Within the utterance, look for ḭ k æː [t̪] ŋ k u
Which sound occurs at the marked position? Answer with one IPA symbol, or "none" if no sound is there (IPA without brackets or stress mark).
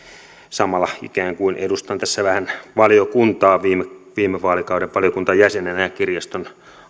none